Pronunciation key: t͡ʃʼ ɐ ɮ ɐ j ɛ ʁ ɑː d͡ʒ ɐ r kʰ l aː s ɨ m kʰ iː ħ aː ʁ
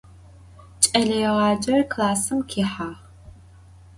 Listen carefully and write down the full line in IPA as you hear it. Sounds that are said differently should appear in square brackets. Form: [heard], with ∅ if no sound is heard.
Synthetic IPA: t͡ʃʼ ɐ ɮ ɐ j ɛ ʁ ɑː d͡ʒ ɐ r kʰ l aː s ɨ m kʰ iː ħ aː ʁ

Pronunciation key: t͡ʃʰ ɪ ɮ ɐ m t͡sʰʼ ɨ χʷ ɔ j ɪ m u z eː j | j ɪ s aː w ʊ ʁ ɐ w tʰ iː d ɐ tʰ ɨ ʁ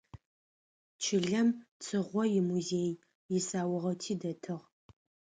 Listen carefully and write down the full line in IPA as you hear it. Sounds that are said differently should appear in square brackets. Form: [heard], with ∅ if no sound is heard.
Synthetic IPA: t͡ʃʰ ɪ ɮ ɐ m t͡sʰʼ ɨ [ʁʷ] ɔ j ɪ m u z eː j | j ɪ s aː w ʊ ʁ ɐ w tʰ iː d ɐ tʰ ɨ ʁ

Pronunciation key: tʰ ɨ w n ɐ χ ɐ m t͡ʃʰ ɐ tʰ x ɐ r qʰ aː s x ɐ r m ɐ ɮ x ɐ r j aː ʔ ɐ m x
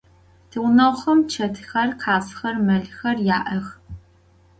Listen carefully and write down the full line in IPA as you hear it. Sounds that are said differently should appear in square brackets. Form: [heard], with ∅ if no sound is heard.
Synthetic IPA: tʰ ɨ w n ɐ χ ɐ m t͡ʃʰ ɐ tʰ x ɐ r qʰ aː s x ɐ r m ɐ ɮ x ɐ r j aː ʔ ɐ [∅] x

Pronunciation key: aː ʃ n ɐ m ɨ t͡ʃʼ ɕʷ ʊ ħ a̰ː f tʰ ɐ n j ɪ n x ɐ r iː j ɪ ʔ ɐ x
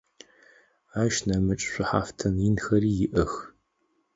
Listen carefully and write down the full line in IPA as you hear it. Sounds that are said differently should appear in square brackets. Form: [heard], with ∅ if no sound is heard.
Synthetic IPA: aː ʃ n ɐ m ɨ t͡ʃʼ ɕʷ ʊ ħ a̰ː f tʰ ɐ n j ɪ n x ɐ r iː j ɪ ʔ ɐ x

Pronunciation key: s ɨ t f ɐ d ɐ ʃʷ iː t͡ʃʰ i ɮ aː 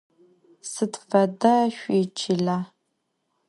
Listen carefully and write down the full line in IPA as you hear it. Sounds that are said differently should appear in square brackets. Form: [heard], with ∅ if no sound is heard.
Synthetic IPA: s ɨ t f ɐ d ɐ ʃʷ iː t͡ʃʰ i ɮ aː

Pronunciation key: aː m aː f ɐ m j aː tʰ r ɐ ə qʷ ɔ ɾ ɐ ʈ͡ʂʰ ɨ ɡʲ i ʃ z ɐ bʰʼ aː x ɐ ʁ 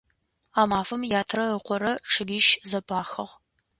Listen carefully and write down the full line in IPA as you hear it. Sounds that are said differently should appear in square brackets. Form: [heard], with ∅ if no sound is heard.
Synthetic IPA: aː m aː f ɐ m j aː tʰ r ɐ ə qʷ ɔ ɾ ɐ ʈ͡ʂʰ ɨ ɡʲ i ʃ z ɐ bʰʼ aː x ɐ ʁ

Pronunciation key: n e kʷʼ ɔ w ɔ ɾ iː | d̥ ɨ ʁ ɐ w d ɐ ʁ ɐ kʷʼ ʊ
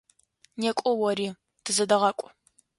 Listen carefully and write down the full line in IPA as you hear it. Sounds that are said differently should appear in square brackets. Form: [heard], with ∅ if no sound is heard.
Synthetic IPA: n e kʷʼ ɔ w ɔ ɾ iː | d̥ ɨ [z] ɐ [∅] d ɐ ʁ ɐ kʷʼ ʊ

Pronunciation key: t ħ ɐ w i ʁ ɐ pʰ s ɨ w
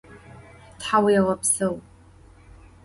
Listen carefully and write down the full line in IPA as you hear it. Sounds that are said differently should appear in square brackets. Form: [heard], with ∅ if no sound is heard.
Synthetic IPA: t ħ [a] w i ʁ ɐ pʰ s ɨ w

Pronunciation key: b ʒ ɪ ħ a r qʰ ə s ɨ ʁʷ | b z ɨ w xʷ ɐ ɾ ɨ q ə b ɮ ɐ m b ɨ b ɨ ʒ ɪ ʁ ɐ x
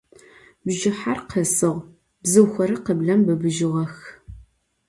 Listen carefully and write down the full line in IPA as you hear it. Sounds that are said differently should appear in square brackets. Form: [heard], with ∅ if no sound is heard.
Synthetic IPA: b ʒ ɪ ħ a r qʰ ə s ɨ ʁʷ | b z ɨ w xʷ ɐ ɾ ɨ q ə b ɮ ɐ m b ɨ b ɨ ʒ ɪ ʁ ɐ x

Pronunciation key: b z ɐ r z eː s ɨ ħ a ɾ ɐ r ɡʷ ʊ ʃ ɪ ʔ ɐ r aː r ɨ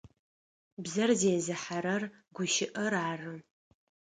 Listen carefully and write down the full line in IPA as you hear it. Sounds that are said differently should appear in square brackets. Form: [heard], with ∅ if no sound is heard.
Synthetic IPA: b z ɐ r z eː [z] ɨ ħ a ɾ ɐ r ɡʷ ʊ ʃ ɪ ʔ ɐ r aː r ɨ

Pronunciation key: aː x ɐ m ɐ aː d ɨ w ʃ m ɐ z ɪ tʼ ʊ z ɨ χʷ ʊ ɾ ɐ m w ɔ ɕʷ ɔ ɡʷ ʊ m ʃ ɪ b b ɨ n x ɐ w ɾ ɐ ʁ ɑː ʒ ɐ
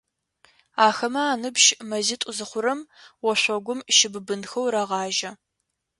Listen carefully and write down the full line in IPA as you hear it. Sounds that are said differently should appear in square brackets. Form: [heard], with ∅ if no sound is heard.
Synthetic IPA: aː x ɐ m ɐ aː [n] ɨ [b] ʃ m ɐ z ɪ tʼ ʊ z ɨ χʷ ʊ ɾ ɐ m w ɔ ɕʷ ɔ ɡʷ ʊ m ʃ ɪ b b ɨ n x ɐ w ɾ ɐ ʁ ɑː ʒ ɐ

